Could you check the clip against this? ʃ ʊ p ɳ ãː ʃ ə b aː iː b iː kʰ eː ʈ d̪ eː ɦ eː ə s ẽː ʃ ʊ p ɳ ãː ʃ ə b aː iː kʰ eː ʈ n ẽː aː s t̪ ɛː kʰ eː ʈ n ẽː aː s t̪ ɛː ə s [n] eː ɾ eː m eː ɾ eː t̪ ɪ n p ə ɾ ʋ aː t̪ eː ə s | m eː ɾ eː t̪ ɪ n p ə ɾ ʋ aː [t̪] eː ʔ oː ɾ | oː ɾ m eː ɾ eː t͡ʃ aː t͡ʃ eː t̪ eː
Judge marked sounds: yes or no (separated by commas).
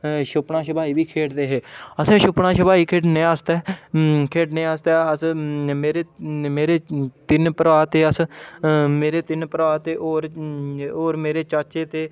no, yes